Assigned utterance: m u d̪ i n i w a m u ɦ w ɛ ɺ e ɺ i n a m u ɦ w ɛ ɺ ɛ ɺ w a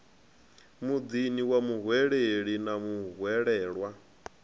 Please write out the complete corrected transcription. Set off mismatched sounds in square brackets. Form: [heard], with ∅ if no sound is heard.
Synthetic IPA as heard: m u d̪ i n i w a m u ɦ w ɛ ɺ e ɺ i n a m u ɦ w ɛ ɺ [ɛː] ɺ w a